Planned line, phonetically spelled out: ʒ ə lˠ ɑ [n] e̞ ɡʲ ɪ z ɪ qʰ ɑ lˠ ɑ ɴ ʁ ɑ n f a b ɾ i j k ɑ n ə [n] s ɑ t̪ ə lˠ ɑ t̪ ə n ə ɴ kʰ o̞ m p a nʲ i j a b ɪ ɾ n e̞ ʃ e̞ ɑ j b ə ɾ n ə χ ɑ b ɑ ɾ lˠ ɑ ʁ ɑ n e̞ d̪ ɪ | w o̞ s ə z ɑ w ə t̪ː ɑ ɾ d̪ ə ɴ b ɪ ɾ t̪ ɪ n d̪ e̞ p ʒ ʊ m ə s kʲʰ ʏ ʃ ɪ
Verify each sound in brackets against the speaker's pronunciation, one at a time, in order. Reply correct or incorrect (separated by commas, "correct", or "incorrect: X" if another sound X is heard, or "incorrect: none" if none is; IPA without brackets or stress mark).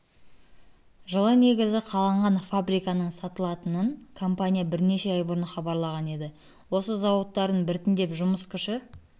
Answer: correct, incorrect: ɴ